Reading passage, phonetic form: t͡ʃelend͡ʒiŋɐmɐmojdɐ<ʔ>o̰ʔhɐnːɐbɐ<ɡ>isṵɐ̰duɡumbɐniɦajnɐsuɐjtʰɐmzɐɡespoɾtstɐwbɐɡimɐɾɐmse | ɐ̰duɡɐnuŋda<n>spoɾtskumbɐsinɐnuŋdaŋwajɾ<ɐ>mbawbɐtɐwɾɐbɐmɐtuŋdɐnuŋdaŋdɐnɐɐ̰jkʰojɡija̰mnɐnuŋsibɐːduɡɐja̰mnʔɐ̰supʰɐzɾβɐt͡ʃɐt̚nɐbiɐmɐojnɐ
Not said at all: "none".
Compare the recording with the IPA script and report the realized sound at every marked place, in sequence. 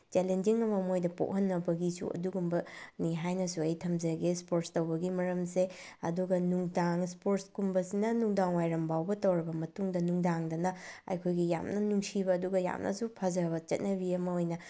p, ɡ, ŋ, ɐ

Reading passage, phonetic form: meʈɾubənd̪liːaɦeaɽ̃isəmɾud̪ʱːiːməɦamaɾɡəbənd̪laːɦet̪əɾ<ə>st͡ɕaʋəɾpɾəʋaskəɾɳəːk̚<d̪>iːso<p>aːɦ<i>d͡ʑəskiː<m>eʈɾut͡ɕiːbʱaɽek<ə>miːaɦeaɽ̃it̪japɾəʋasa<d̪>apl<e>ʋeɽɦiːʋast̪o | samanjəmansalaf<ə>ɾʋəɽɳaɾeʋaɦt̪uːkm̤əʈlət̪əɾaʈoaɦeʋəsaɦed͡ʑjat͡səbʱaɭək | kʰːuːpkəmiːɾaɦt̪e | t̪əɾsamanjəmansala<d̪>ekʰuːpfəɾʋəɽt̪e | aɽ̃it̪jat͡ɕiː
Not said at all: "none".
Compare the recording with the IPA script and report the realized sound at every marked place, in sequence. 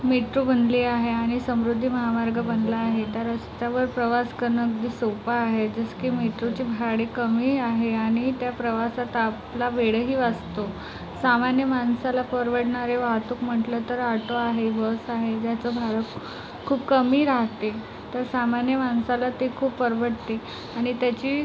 ə, d̪, p, e, m, ə, t̪, a, ə, t̪

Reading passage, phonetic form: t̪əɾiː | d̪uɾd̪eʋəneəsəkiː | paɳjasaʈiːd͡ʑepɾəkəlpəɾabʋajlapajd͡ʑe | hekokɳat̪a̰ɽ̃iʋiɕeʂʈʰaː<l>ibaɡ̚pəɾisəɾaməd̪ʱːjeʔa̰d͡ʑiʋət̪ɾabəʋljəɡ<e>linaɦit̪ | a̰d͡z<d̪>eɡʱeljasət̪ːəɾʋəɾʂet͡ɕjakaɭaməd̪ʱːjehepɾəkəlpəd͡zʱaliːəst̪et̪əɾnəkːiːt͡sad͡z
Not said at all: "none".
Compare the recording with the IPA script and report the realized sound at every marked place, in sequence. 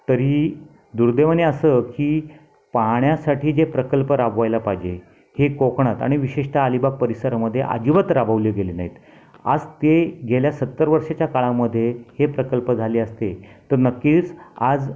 l, e, t̪

